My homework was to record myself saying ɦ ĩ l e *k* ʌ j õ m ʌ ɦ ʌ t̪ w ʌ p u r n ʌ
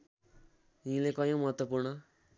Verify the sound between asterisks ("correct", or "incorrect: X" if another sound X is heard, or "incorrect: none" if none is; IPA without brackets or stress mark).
correct